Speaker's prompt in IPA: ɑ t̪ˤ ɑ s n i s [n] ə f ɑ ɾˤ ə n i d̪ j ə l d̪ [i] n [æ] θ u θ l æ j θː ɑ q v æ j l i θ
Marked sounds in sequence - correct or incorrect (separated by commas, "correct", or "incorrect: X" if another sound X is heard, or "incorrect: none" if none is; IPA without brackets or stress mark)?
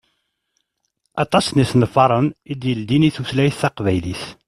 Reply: correct, correct, incorrect: i